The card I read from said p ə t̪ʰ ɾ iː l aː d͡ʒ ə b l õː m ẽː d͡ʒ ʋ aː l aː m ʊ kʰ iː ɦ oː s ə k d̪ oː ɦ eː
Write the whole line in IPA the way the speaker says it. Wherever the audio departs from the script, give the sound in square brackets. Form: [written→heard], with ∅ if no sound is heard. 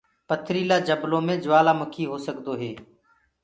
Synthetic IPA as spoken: p ə t̪ʰ ɾ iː l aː d͡ʒ ə b l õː m ẽː d͡ʒ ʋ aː l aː m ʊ kʰ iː ɦ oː s ə k d̪ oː ɦ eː

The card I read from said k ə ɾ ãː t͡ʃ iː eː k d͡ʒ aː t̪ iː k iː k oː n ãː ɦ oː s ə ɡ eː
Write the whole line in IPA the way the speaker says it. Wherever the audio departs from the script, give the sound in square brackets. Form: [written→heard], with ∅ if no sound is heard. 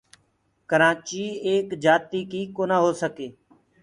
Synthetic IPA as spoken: k ə ɾ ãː t͡ʃ iː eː k d͡ʒ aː t̪ iː k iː k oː n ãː ɦ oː s ə [ɡ→k] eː

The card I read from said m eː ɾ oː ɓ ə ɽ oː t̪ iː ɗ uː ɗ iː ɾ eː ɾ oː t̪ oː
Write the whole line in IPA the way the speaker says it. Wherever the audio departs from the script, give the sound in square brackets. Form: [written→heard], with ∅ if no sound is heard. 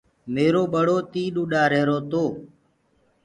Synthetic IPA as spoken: m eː ɾ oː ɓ ə ɽ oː t̪ iː ɗ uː ɗ [iː→aː] ɾ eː ɾ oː t̪ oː

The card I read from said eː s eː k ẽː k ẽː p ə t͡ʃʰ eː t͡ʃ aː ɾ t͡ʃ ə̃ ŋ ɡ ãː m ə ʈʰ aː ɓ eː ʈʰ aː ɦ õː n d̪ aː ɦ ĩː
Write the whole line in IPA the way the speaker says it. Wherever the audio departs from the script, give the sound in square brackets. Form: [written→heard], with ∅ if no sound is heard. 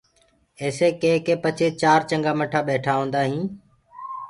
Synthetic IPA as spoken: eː s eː k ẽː k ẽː p ə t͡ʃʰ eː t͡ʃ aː ɾ t͡ʃ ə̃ ŋ ɡ [ãː→aː] m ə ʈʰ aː ɓ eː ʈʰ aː ɦ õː n d̪ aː ɦ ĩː

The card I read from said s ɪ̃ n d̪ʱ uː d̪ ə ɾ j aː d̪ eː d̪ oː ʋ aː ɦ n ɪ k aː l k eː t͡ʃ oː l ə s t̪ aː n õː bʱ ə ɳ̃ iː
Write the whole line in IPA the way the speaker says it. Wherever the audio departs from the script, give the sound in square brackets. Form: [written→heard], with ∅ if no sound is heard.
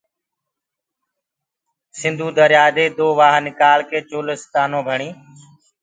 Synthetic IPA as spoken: s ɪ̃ n d̪ʱ uː d̪ ə ɾ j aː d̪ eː d̪ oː ʋ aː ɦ n ɪ k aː l k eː t͡ʃ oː l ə s t̪ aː n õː bʱ ə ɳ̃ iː

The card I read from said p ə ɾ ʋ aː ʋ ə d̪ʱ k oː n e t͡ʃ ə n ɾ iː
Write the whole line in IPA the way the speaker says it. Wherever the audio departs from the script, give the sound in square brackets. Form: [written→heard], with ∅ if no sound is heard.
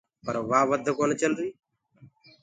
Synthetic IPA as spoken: p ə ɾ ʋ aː ʋ ə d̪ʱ k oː n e t͡ʃ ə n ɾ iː

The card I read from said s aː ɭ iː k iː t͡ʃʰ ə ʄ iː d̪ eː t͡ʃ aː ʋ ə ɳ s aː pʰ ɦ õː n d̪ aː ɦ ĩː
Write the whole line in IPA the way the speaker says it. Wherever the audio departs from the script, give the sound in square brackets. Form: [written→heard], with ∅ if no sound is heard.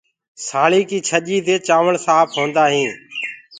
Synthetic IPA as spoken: s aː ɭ iː k iː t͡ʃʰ ə ʄ iː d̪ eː t͡ʃ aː ʋ ə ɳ s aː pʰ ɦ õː n d̪ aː ɦ ĩː

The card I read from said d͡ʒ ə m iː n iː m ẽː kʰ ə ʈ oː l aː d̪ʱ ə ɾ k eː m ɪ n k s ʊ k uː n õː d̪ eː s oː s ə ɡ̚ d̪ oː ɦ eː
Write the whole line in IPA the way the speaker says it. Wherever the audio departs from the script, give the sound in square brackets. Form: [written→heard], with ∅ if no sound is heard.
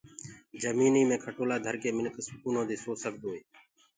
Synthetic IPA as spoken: d͡ʒ ə m iː n iː m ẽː kʰ ə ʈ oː l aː d̪ʱ ə ɾ k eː m ɪ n k s ʊ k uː n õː d̪ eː s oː s ə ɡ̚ d̪ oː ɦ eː

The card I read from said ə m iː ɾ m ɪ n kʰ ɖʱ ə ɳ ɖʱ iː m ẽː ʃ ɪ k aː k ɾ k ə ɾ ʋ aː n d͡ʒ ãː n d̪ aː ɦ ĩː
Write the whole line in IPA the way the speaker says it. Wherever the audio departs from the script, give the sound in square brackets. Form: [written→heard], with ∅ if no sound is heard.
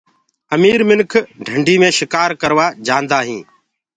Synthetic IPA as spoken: ə m iː ɾ m ɪ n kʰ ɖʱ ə ɳ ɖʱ iː m ẽː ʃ ɪ k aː [k→∅] ɾ k ə ɾ ʋ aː [n→∅] d͡ʒ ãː n d̪ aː ɦ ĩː

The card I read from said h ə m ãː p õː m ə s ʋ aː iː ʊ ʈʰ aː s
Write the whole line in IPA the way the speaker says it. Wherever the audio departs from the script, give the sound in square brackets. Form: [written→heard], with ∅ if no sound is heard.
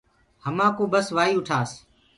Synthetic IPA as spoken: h ə m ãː [p→k] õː [m→b] ə s ʋ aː iː ʊ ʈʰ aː s

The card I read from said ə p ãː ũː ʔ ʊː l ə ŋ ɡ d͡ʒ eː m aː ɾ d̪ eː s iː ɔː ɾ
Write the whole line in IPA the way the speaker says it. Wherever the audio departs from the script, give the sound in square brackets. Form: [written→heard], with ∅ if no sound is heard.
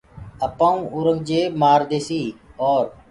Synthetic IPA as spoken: ə p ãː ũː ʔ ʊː [l→ɾ] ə ŋ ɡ d͡ʒ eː m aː ɾ d̪ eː s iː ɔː ɾ

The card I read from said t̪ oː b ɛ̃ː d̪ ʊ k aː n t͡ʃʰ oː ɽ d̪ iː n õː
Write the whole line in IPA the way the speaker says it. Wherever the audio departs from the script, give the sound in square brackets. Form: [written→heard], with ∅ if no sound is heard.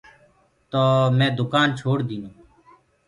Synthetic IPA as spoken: t̪ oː [b→m] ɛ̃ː d̪ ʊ k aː n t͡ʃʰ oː ɽ d̪ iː n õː

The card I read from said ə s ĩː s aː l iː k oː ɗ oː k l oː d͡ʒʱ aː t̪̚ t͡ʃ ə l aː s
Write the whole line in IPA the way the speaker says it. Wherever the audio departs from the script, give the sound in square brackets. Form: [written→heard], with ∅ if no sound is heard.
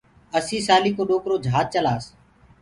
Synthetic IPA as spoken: ə s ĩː s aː l iː k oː ɗ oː k [l→ɾ] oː d͡ʒʱ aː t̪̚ t͡ʃ ə l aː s

